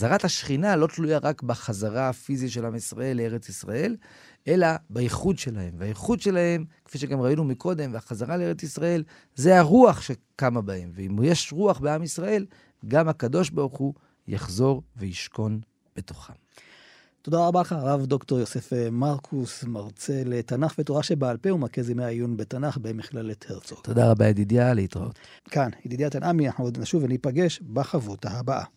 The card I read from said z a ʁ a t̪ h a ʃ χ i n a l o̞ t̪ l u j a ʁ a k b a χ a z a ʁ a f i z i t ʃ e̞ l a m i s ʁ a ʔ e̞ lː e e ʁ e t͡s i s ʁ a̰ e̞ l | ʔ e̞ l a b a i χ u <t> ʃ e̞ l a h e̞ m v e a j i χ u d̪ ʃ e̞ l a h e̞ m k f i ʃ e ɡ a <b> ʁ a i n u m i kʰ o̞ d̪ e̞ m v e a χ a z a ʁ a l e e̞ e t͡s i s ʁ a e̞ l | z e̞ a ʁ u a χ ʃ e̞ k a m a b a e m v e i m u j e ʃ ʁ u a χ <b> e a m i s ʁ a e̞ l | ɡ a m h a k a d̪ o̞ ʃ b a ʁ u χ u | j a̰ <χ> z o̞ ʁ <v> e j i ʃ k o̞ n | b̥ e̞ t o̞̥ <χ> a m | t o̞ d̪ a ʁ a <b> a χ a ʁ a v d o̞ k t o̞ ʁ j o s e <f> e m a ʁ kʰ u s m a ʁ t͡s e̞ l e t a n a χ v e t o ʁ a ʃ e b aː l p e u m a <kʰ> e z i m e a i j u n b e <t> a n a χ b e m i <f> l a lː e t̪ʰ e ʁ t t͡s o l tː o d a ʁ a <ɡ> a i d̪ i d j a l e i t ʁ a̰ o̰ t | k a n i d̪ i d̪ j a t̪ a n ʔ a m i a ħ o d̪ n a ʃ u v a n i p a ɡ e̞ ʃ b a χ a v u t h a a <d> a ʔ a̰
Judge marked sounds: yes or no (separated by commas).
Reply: no, no, yes, yes, yes, yes, yes, yes, no, yes, no, no, no